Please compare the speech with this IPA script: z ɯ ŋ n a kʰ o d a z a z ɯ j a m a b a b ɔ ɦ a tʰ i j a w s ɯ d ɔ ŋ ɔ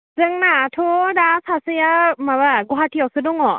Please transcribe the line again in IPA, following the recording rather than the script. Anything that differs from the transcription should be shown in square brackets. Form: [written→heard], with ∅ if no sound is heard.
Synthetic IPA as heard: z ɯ ŋ n a [kʰ→tʰ] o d a [z→s] a [z→s] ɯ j a m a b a [b→ɡ] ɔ ɦ a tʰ i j a w s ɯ d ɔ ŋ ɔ